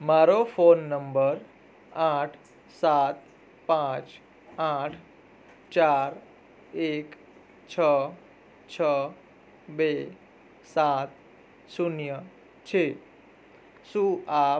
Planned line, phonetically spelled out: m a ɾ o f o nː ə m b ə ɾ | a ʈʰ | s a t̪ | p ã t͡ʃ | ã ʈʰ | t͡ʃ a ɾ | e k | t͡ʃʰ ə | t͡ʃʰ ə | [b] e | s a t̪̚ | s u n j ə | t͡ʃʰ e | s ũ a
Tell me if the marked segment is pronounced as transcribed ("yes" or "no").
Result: yes